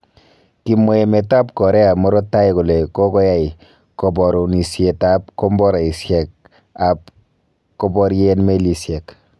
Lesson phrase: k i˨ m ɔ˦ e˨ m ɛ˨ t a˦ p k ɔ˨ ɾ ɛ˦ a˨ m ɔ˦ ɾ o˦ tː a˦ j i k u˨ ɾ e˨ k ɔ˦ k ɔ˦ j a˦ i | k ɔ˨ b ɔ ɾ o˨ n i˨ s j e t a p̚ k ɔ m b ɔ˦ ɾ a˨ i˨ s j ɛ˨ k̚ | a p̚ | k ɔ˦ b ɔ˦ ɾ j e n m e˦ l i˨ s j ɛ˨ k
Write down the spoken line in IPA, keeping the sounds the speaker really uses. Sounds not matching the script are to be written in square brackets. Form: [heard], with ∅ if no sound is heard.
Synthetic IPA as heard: k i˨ m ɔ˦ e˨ m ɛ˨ t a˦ p k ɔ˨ ɾ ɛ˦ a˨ m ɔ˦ ɾ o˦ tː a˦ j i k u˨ [l] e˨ k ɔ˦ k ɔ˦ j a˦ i | k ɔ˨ b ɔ ɾ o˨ n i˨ s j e t a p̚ k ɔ m b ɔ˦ ɾ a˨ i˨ s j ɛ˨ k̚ | a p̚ | k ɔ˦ b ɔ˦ ɾ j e n m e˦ l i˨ s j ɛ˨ k